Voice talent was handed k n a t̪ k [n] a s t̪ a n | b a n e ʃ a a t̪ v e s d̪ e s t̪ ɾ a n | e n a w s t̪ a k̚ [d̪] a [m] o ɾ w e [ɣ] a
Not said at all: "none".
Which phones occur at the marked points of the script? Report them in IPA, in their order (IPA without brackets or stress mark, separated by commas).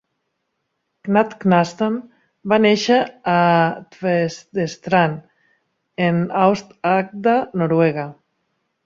n, d̪, n, ɣ